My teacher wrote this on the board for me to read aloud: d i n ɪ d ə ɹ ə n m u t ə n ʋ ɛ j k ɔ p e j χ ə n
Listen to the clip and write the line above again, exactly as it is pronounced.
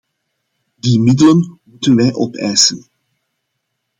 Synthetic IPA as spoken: d i m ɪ d ə l ə n m u t ə n ʋ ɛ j ʔ ɔ p ɛ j s ə n